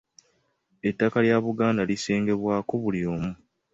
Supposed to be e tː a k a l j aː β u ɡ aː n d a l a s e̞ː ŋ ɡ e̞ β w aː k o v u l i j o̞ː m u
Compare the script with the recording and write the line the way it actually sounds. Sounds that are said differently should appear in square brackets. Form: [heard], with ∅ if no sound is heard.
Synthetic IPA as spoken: e tː a k a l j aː β u ɡ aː n d a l [i] s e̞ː ŋ ɡ e̞ β w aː k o [β] u l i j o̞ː m u

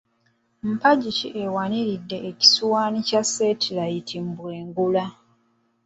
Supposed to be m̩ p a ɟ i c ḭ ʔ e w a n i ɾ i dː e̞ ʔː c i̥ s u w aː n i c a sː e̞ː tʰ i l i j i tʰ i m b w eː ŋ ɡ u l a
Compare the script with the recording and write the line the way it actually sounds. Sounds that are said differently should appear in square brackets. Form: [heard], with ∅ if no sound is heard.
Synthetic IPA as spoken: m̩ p a ɟ i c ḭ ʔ e w a n i ɾ i dː e̞ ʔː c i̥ s u w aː n i c a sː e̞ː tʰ i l [a] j i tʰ i m b w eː ŋ ɡ u l a

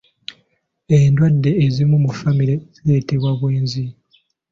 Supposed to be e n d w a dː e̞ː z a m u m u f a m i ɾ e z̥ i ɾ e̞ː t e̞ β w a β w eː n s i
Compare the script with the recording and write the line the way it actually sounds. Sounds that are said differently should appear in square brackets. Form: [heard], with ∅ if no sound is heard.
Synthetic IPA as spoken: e n d w a dː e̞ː z [i] m u m u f a m i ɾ e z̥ i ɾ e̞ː t e̞ β w a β w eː n [z] i

